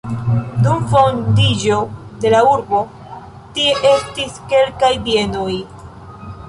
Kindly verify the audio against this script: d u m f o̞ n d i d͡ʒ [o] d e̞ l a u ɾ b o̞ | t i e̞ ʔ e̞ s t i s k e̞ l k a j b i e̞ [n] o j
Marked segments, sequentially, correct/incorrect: correct, correct

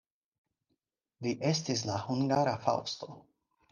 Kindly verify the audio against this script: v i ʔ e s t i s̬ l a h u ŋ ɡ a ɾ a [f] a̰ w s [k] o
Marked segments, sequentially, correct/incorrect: correct, incorrect: t

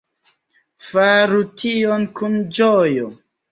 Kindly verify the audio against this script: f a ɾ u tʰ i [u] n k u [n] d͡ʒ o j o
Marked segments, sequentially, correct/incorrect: incorrect: o, correct

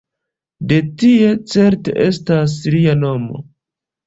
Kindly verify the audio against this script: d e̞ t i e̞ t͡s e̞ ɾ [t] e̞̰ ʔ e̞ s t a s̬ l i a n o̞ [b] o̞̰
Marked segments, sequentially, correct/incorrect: correct, incorrect: m

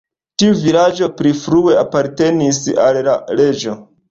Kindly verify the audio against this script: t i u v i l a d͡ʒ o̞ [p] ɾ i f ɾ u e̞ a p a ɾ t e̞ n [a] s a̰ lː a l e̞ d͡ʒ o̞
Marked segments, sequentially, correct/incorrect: correct, incorrect: i

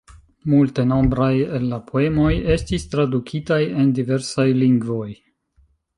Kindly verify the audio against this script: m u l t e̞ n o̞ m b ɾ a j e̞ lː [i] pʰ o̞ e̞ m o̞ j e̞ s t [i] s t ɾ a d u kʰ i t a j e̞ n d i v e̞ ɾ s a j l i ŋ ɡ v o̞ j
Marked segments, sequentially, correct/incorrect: incorrect: a, correct

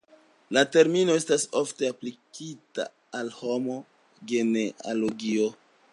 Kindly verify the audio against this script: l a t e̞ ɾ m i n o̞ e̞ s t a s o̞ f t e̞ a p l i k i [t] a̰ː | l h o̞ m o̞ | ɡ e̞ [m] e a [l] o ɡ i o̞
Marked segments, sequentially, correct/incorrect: correct, incorrect: n, correct

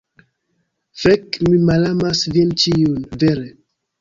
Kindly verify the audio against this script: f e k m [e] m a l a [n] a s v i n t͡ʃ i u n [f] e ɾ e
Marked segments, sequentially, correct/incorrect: incorrect: i, incorrect: m, incorrect: v

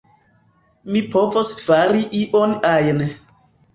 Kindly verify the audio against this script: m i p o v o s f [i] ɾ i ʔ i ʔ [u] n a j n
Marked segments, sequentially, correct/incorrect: incorrect: a, incorrect: o

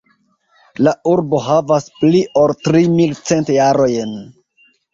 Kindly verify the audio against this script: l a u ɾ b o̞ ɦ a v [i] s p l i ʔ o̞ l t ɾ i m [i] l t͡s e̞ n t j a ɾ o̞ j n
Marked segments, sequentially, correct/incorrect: incorrect: a, correct

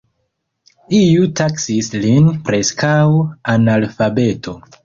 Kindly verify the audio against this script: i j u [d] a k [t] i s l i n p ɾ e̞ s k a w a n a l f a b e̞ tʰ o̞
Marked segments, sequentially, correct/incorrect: incorrect: t, incorrect: s

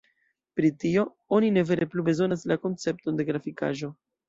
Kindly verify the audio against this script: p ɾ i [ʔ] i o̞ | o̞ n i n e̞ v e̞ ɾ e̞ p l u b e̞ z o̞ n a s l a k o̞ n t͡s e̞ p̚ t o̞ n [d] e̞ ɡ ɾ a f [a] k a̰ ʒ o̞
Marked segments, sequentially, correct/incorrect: incorrect: t, correct, incorrect: i

